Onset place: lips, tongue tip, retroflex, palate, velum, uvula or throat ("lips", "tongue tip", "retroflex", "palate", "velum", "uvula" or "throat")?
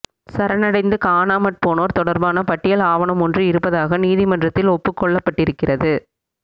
tongue tip